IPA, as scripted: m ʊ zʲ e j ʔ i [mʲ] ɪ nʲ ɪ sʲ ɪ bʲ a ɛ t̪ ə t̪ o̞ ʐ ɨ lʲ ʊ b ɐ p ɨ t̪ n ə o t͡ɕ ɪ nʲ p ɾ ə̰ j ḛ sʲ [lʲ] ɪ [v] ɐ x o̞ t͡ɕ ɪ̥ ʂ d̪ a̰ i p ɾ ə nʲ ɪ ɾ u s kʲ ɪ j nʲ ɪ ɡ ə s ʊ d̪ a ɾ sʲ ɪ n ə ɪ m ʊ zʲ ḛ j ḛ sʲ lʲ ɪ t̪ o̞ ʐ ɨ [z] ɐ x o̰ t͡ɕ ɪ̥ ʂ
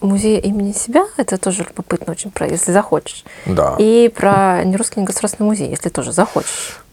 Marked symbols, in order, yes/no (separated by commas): yes, yes, no, yes